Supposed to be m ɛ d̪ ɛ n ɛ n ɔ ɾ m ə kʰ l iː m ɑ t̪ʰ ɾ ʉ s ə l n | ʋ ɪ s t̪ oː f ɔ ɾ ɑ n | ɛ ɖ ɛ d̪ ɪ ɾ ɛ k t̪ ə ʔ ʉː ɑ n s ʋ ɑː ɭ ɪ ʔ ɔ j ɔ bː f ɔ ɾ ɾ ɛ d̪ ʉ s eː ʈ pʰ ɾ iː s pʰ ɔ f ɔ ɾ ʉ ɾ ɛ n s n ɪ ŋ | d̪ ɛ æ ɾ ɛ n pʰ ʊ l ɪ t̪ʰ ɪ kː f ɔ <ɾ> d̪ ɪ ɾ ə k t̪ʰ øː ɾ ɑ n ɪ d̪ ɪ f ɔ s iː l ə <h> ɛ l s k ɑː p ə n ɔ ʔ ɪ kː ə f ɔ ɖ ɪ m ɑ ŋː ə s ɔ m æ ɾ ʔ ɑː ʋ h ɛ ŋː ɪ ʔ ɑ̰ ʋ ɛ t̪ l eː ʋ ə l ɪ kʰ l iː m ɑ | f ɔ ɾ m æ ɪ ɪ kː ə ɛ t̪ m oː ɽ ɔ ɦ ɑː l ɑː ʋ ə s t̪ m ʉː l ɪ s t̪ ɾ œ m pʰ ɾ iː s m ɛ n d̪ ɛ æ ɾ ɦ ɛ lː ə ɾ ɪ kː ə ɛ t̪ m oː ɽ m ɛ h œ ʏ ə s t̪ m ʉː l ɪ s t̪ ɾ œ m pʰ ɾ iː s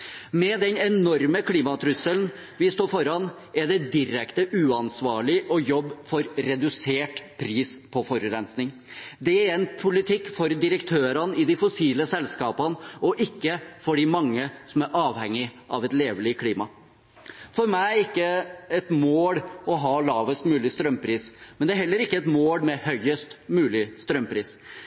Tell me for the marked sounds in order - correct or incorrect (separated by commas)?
correct, incorrect